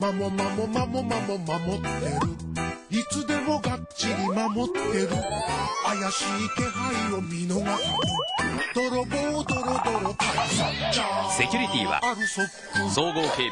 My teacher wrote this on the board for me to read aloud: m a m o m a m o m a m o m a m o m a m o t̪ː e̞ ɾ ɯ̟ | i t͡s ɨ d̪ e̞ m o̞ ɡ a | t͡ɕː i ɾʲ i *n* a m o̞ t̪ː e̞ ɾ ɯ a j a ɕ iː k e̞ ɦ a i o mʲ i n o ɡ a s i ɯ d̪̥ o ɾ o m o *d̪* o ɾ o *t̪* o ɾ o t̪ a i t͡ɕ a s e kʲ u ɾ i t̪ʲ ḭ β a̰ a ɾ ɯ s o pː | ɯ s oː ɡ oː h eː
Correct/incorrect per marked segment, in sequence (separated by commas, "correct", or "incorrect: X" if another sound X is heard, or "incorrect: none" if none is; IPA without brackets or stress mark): incorrect: m, correct, incorrect: d̪